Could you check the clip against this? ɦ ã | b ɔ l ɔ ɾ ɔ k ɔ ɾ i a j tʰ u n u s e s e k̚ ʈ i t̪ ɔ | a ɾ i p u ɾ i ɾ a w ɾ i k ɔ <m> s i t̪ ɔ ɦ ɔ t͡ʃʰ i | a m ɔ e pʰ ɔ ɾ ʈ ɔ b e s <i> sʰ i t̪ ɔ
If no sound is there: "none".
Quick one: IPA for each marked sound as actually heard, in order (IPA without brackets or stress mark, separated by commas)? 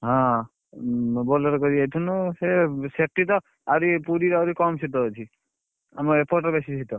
m, i